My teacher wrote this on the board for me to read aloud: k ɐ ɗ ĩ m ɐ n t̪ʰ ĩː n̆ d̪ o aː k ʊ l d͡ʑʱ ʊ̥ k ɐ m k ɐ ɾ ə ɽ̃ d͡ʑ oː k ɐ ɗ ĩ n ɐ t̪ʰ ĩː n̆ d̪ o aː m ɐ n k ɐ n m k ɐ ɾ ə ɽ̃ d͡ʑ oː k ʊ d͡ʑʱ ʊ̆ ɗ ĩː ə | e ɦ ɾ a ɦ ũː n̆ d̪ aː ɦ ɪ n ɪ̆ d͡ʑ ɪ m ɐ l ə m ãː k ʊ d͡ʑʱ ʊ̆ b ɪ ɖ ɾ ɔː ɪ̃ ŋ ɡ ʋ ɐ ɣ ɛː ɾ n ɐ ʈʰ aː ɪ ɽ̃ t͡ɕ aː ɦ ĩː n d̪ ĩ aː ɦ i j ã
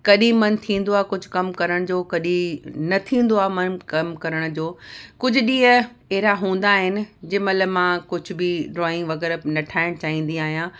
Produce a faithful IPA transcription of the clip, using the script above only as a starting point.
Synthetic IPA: k ɐ ɗ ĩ m ɐ n t̪ʰ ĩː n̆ d̪ o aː k ʊ d͡ʑʱ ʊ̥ k ɐ m k ɐ ɾ ə ɽ̃ d͡ʑ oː k ɐ ɗ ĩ n ɐ t̪ʰ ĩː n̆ d̪ o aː m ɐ n k ɐ m k ɐ ɾ ə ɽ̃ d͡ʑ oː k ʊ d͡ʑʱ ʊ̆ ɗ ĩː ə | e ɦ ɾ a ɦ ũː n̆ d̪ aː ɦ ɪ n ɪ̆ d͡ʑ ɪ m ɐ l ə m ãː k ʊ d͡ʑʱ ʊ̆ b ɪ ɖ ɾ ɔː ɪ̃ ŋ ɡ ʋ ɐ ɣ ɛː ɾ n ɐ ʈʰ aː ɪ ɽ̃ t͡ɕ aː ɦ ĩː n d̪ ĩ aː ɦ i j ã